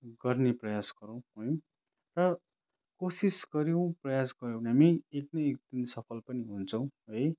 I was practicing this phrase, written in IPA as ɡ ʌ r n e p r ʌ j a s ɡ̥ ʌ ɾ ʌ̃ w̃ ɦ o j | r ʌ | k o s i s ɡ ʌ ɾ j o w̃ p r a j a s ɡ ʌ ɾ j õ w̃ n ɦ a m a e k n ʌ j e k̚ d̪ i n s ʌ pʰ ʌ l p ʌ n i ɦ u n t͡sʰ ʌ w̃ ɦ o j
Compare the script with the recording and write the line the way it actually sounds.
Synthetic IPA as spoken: ɡ ʌ r n e p r ʌ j a s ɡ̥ ʌ ɾ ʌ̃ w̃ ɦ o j | r ʌ | k o s i s ɡ ʌ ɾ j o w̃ p r ʌ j a s ɡ ʌ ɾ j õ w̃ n ɦ a m i e k n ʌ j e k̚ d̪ i n s ʌ pʰ ʌ l p ʌ n i ɦ u n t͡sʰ ʌ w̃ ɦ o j